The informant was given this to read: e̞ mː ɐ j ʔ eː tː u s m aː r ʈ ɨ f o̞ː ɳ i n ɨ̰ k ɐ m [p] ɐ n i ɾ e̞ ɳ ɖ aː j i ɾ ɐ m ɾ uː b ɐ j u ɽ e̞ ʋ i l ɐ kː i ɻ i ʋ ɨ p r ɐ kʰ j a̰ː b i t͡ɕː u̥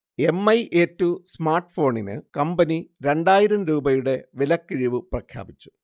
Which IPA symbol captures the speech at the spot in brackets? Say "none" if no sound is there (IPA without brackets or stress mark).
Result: b